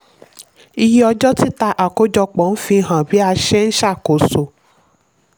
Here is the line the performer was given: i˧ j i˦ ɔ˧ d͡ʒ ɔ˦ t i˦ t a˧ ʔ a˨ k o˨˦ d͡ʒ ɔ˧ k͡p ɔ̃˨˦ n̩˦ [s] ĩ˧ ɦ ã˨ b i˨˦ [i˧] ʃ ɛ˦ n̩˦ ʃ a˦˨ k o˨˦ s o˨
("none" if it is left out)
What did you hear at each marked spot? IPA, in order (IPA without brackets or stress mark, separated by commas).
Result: f, a˧